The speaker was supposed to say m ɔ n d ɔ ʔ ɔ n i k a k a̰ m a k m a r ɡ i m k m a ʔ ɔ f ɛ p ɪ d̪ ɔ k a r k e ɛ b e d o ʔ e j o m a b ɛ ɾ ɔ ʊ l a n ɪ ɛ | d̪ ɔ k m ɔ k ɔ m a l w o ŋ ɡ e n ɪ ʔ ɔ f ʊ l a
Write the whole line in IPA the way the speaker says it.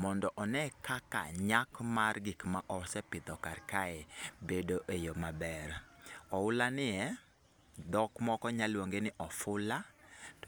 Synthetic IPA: m ɔ n d ɔ ʔ ɔ n ɛ k a k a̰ ɲ a k m a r ɡ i k m a ʔ ɔ s ɛ p ɪ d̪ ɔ k a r k a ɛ b e d o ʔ e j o m a b ɛ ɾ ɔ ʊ l a n ɪ ɛ | d̪ ɔ k m ɔ k ɔ ɲ a l w o ŋ ɡ e n ɪ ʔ ɔ f ʊ l a